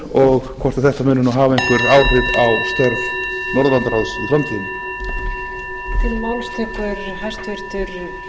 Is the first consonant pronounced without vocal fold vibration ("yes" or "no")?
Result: no